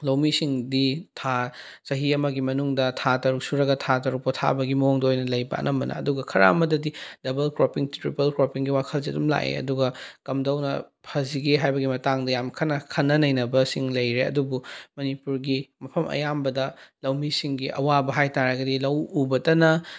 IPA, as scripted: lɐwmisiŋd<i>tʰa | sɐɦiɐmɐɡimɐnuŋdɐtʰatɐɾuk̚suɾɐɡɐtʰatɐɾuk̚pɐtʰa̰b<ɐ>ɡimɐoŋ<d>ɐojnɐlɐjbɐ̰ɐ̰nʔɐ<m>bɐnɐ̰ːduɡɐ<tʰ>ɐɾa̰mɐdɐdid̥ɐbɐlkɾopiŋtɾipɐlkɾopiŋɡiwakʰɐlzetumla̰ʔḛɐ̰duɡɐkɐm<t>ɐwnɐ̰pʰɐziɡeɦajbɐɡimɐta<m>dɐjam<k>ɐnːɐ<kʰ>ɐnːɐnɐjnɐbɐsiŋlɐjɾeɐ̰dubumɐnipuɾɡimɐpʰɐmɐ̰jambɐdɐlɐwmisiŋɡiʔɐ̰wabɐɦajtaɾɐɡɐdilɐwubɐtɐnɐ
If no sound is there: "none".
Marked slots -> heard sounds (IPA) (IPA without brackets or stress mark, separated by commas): i, ɐ, d, m, kʰ, d, ŋ, kʰ, kʰ